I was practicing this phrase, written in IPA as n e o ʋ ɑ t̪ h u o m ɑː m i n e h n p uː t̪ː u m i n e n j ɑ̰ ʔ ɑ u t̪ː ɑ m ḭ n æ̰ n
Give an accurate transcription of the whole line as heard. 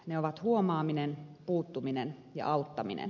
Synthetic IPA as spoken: n e o ʋ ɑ t̪ h u o m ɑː m i n e n p uː t̪ː u m i n e n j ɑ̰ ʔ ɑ u t̪ː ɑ m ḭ n ḛ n